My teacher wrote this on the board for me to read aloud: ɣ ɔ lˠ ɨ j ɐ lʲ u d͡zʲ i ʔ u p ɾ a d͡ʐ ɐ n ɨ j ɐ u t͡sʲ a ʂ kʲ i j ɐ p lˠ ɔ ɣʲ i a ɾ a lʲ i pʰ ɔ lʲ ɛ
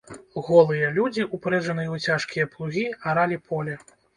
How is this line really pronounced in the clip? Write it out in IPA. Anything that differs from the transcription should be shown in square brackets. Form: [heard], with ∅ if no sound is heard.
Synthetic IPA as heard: ɣ ɔ lˠ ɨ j ɐ lʲ u d͡zʲ i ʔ u p ɾ [ɛ] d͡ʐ ɐ n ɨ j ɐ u t͡sʲ a ʂ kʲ i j ɐ p lˠ [u] ɣʲ i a ɾ a lʲ i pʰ ɔ lʲ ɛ